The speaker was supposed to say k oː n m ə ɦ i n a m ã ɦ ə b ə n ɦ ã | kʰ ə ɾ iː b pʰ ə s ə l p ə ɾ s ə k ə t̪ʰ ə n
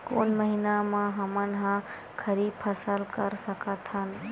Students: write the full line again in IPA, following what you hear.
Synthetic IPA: k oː n m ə ɦ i n a m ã ɦ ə m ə n ɦ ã | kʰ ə ɾ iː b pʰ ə s ə l k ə ɾ s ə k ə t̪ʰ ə n